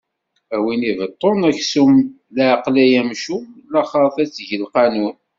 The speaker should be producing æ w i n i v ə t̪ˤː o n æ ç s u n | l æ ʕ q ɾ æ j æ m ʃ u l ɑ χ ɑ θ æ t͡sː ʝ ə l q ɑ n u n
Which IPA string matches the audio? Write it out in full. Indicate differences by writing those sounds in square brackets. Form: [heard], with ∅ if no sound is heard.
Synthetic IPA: æ w i n i v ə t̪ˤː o n æ ç s u [m] | l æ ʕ q [l] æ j æ m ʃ u l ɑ χ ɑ θ æ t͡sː ʝ ə l q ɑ n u n

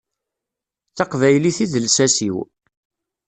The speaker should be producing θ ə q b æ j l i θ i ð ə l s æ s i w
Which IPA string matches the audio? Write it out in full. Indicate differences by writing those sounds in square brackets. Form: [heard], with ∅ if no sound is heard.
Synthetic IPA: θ [ɑ] q [v] æ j l i θ i ð ə l s æ s i w

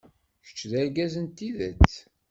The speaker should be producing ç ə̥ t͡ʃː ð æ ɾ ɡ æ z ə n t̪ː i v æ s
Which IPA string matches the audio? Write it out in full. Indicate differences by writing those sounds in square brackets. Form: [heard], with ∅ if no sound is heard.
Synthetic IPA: ç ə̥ t͡ʃː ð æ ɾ ɡ æ z ə n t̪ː i [ð] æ [t͡s]

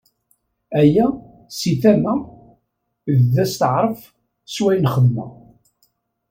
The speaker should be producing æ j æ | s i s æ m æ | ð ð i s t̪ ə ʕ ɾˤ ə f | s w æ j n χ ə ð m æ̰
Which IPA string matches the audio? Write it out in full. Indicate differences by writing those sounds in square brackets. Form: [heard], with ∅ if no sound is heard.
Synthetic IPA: æ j æ | s i [θ] æ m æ | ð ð [æ] s t̪ ə ʕ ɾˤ ə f | s w æ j n χ ə ð m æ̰

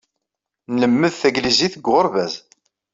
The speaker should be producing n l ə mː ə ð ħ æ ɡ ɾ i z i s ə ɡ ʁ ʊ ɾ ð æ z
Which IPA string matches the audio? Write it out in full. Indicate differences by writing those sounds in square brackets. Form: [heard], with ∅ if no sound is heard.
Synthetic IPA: n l ə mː ə ð [θ] æ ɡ [l] i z i [θ] ə ɡ ʁ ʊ ɾ [v] æ z

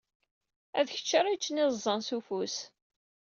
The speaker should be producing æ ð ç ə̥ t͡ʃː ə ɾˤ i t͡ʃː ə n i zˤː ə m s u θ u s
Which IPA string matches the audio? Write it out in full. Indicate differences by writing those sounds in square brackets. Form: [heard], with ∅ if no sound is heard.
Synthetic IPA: æ ð ç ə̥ t͡ʃː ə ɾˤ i t͡ʃː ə n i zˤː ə [n] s u [f] u s

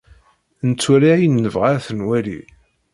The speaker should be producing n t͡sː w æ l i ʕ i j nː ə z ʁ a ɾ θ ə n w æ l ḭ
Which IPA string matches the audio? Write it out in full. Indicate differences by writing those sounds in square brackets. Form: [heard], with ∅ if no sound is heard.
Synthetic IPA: n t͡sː w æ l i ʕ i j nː ə [v] ʁ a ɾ θ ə n w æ l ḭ

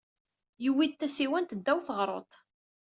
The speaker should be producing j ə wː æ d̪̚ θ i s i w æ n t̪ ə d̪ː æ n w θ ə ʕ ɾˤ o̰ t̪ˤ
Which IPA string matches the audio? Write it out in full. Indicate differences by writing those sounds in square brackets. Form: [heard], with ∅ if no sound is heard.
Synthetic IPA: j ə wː [i] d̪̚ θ [æ] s i w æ n t̪ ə d̪ː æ [∅] w θ ə [ʁ] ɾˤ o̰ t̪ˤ

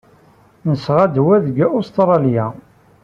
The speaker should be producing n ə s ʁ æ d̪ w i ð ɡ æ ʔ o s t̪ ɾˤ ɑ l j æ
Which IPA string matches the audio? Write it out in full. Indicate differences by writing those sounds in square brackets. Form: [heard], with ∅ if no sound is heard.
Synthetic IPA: n ə s ʁ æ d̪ w [æ] ð ɡ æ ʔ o s t̪ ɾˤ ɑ l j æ

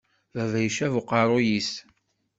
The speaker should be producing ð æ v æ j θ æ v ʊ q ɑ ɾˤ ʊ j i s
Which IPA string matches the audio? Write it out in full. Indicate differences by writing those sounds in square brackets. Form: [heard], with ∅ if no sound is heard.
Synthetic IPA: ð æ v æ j [ʃ] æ v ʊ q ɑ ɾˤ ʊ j i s

